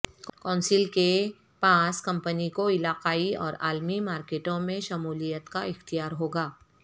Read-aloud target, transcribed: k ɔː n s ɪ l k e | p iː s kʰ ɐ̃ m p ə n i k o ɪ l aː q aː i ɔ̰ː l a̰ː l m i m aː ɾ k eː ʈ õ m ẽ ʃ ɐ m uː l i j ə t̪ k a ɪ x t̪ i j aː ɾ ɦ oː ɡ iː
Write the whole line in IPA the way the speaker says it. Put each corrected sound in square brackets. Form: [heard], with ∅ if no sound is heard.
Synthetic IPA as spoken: k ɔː n s ɪ l k e | p [aː] s [k] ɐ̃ m p ə n i k o ɪ l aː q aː i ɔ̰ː [ɾ] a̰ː l m i m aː ɾ k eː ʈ õ m ẽ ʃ ɐ m uː l i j ə t̪ k a ɪ x t̪ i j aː ɾ ɦ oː ɡ [aː]